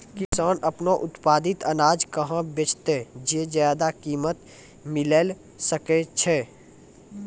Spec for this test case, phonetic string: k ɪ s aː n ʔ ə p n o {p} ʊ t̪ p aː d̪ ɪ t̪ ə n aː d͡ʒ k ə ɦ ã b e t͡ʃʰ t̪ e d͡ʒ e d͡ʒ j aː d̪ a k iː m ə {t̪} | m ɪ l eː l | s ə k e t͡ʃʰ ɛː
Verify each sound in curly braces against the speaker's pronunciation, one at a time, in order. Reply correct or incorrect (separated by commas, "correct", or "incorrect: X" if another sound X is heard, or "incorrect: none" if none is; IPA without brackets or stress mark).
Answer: incorrect: ʔ, correct